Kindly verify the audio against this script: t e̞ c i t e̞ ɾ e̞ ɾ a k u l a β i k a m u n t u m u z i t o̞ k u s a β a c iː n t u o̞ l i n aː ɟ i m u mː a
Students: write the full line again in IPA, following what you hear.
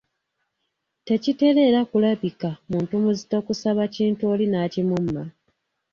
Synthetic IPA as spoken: t e̞ c i t e̞ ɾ e̞ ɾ a k u l a β i k a m uː n t u m u z i t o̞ k u s a β a c iː n t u o̞ l i n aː c i m u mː a